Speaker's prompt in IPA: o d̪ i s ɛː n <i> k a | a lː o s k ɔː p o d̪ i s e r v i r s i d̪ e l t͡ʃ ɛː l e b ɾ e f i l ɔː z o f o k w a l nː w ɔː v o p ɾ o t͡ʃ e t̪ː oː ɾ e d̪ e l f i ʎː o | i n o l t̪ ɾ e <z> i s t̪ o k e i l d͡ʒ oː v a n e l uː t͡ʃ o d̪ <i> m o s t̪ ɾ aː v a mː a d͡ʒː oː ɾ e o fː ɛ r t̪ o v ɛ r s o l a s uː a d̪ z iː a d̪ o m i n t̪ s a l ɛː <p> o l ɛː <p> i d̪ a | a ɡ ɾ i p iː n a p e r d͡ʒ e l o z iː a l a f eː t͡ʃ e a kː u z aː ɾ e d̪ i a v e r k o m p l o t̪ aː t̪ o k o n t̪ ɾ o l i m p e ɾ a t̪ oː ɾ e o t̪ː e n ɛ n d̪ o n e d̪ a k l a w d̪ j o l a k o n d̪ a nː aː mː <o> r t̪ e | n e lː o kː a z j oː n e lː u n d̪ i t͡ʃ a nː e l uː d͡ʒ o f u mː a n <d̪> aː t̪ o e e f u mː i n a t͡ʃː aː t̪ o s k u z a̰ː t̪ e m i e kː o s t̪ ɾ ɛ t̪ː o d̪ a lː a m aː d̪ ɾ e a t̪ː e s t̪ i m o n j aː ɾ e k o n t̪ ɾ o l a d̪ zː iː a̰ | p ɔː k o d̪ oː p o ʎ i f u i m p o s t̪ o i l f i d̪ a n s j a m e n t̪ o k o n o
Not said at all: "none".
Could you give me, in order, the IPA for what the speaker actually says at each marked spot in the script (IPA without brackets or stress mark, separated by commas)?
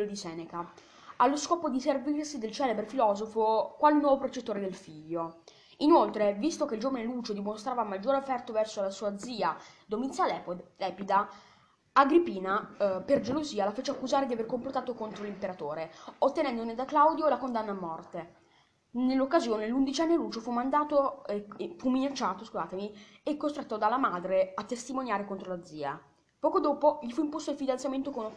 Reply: e, v, i, p, p, ɔ, d̪